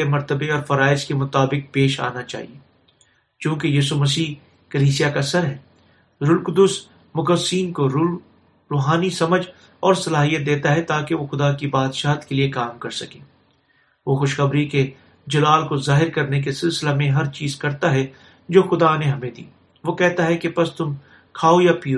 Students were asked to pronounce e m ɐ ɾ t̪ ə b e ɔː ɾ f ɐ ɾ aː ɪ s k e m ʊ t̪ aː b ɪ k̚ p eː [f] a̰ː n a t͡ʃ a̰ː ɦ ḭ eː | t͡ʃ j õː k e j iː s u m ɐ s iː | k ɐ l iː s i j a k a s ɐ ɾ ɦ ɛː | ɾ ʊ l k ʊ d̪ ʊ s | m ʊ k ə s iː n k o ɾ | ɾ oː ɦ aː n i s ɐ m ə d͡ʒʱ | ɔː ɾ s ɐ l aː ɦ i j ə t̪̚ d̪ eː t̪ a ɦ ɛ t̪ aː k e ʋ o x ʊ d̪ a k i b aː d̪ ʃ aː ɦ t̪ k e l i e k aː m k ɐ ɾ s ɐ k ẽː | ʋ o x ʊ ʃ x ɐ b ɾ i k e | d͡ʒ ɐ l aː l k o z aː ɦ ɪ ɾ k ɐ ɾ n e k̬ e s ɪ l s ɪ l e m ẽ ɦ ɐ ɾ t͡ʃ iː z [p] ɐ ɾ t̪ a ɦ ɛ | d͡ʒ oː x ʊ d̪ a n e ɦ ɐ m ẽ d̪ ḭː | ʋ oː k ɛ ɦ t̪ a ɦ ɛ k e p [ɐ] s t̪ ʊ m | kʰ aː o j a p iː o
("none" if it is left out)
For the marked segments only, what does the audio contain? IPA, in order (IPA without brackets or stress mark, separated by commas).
ʃ, k, ɐ